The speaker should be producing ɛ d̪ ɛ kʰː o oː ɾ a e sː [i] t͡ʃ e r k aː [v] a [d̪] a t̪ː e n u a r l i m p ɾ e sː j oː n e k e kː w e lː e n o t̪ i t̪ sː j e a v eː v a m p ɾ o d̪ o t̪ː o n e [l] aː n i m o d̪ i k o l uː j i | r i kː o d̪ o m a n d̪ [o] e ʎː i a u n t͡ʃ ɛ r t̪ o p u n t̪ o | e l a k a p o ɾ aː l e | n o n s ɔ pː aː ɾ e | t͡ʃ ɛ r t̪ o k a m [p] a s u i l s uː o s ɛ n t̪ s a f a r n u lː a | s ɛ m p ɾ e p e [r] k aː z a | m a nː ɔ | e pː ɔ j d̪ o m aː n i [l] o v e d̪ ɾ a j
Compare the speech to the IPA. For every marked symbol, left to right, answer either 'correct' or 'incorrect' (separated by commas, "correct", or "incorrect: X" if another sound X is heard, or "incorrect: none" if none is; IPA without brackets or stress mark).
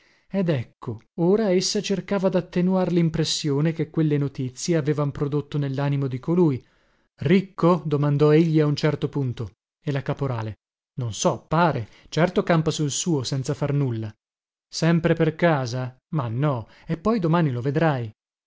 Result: incorrect: a, correct, correct, incorrect: lː, incorrect: ɔ, correct, correct, correct